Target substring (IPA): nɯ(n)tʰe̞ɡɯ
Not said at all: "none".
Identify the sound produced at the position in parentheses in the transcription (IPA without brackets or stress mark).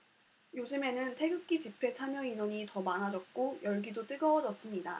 n